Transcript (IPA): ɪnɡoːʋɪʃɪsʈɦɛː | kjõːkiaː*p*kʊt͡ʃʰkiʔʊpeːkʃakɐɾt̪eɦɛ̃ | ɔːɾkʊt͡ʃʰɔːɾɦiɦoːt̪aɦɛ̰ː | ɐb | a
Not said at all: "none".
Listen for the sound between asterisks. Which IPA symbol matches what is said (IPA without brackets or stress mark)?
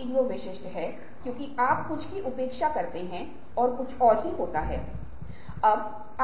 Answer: p